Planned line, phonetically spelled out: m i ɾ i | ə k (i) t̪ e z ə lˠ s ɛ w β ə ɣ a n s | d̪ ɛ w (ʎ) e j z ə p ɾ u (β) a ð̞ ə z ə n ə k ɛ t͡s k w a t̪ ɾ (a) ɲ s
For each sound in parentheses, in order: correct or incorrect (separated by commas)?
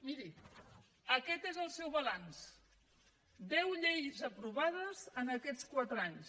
incorrect, correct, correct, correct